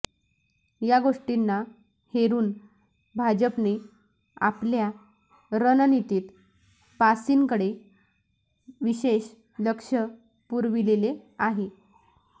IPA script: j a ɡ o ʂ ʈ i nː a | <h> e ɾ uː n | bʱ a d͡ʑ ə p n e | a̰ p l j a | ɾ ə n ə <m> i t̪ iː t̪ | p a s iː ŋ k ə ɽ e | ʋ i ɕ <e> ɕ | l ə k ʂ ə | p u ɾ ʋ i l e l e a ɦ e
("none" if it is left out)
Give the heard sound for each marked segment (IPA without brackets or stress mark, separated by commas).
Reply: h, n, e